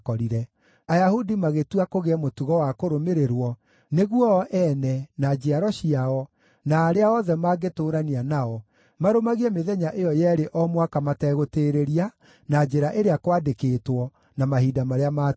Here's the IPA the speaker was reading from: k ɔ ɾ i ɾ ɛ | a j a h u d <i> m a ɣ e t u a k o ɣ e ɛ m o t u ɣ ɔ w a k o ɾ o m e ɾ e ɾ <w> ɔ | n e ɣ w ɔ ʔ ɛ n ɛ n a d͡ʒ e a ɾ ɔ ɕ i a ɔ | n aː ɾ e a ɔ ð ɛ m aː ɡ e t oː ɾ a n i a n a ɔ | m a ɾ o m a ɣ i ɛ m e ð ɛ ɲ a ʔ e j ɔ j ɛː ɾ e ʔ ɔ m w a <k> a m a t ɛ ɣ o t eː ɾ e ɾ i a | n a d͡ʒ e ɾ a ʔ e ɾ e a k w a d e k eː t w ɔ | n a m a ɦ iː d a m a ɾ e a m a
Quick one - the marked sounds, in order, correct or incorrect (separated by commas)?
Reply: correct, correct, correct